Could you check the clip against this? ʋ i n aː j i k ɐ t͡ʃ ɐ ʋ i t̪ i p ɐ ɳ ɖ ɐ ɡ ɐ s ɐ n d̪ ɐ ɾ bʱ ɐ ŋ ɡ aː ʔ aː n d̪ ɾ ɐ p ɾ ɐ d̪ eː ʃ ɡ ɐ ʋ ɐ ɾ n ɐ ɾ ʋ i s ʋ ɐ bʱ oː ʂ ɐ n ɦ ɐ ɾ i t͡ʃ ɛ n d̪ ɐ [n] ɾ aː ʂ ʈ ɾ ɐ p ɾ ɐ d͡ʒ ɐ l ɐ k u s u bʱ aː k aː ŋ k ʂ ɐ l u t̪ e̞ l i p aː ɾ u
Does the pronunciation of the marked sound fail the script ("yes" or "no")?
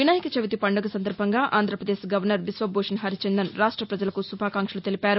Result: no